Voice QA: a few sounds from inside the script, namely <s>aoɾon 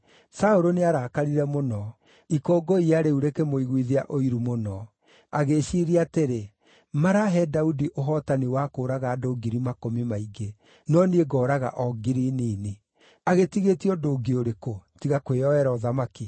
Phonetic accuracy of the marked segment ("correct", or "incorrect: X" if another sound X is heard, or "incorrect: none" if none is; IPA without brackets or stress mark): correct